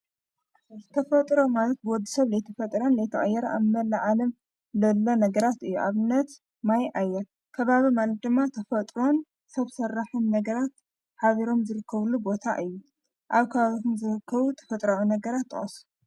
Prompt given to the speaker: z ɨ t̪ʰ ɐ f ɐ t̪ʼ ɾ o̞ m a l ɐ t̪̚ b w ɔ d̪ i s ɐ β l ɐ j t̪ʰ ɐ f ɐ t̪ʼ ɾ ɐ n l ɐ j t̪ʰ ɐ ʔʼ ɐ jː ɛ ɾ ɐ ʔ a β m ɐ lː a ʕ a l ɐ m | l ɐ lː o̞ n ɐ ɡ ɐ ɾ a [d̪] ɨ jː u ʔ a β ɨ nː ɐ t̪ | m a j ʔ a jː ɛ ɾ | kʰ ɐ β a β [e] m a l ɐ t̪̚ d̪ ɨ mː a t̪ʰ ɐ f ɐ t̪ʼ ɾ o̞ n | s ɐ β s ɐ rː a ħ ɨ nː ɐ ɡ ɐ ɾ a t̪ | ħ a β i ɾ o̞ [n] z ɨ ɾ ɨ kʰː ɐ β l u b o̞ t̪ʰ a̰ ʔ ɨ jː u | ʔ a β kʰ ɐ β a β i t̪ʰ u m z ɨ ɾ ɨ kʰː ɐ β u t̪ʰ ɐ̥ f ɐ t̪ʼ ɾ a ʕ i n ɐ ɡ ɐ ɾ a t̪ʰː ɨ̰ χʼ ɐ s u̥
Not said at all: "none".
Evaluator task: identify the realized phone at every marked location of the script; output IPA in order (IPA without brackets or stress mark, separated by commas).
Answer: t̪, i, m